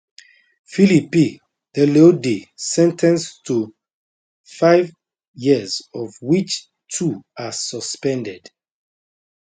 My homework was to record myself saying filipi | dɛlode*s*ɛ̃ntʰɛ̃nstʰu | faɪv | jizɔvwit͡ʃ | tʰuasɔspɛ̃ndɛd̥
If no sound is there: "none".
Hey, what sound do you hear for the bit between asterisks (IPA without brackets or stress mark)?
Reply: s